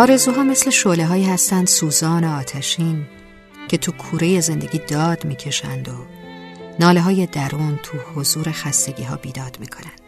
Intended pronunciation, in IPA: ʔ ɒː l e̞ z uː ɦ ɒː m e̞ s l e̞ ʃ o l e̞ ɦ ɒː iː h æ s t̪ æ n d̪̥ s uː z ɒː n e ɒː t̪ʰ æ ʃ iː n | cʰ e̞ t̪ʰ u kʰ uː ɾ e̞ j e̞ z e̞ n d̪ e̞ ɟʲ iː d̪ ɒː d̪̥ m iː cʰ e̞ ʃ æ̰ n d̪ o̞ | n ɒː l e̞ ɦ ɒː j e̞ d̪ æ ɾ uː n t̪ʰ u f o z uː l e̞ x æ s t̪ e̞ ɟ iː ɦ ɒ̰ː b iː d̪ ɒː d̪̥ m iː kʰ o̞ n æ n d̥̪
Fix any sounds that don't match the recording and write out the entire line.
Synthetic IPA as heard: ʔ ɒː ɾ e̞ z uː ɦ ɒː m e̞ s l e̞ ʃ o l e̞ ɦ ɒː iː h æ s t̪ æ n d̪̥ s uː z ɒː n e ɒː t̪ʰ æ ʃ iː n | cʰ e̞ t̪ʰ u kʰ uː ɾ e̞ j e̞ z e̞ n d̪ e̞ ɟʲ iː d̪ ɒː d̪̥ m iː cʰ e̞ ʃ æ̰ n d̪ o̞ | n ɒː l e̞ ɦ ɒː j e̞ d̪ æ ɾ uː n t̪ʰ u h o z uː ɾ e̞ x æ s t̪ e̞ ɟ iː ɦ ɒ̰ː b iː d̪ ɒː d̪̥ m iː kʰ o̞ n æ n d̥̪